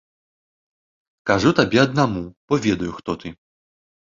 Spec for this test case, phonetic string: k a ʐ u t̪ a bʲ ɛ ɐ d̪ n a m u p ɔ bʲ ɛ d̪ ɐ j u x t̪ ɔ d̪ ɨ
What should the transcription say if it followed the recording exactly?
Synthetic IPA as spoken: k a ʐ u t̪ a bʲ ɛ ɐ d̪ n a m u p ɔ vʲ ɛ d̪ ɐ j u x t̪ ɔ t̪ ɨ